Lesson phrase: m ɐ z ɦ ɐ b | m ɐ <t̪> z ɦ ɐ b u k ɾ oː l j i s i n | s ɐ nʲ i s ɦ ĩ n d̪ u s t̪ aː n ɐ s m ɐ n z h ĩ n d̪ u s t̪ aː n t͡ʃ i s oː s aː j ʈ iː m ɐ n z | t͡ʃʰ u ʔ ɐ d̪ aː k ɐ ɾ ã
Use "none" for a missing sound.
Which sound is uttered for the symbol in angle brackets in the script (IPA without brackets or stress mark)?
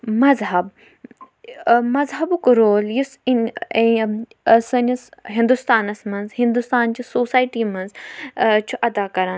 none